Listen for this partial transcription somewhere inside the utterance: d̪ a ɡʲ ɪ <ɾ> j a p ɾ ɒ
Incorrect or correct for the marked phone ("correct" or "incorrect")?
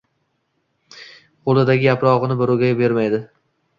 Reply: incorrect